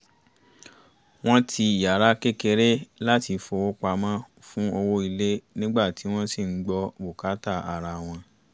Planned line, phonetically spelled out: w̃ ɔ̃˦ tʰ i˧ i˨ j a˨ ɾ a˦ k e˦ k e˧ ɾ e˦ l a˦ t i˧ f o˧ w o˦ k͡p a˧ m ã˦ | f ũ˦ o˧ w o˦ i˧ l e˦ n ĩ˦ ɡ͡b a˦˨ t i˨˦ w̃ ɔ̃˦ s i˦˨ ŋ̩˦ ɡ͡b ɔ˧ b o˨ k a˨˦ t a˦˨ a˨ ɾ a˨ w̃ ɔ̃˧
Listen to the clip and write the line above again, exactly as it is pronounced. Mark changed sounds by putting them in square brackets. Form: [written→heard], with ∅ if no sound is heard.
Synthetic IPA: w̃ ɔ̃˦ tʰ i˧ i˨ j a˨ ɾ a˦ k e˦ k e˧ ɾ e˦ l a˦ t i˧ f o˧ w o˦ k͡p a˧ m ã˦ | f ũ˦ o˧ w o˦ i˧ l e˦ n ĩ˦ ɡ͡b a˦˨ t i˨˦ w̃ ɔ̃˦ s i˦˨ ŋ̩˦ ɡ͡b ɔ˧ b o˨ k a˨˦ t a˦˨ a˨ ɾ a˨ w̃ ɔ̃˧